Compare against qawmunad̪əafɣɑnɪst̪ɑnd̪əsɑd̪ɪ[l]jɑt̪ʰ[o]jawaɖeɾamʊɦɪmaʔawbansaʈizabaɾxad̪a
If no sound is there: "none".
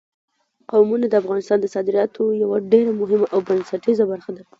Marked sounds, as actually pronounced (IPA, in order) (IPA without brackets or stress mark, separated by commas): ɾ, o